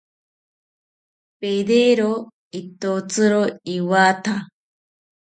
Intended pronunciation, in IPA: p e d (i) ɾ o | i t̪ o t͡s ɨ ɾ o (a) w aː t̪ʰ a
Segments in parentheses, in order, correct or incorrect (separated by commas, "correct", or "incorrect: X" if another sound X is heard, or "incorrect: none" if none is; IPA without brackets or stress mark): incorrect: e, incorrect: i